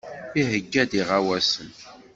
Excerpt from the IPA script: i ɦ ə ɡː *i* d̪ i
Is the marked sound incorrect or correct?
incorrect